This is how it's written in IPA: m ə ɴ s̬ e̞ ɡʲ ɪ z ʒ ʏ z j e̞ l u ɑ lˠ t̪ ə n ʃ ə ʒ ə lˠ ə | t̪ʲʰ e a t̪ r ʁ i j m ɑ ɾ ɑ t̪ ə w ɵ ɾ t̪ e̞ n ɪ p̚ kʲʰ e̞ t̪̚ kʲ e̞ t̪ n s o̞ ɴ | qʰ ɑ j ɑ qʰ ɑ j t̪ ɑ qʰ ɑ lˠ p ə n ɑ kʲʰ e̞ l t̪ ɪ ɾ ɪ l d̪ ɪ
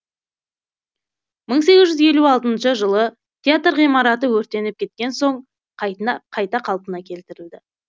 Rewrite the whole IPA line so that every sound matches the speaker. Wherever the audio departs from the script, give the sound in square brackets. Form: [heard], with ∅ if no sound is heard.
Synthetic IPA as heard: m ə ɴ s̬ e̞ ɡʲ ɪ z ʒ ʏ z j e̞ l u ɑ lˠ t̪ ə n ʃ ə ʒ ə lˠ ə | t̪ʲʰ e a t̪ r ʁ i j m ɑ ɾ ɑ t̪ ə w ɵ ɾ t̪ e̞ n ɪ p̚ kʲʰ e̞ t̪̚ kʲ e̞ [∅] n s o̞ ɴ | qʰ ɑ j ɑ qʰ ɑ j t̪ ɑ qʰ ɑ lˠ p ə n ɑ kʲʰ e̞ l t̪ ɪ ɾ ɪ l d̪ ɪ